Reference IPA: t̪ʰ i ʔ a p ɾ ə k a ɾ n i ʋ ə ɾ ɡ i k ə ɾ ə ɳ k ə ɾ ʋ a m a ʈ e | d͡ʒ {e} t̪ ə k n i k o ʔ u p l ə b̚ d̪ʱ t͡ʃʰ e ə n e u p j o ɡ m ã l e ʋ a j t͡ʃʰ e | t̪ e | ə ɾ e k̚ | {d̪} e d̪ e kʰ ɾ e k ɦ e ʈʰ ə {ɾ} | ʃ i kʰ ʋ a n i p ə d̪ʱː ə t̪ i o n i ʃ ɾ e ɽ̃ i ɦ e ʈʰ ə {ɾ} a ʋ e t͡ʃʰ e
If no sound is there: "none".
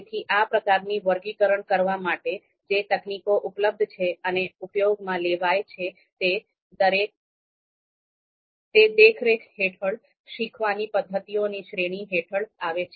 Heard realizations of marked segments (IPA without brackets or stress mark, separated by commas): e, t̪, ɭ, ɭ